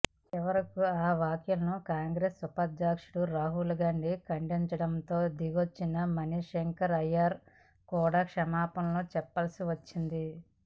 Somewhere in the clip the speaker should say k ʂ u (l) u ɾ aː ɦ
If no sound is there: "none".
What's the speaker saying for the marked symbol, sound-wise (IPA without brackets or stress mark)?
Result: ɽ